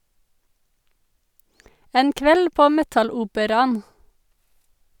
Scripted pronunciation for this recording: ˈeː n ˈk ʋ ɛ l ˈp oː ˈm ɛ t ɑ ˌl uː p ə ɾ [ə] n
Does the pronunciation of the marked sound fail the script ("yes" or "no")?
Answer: yes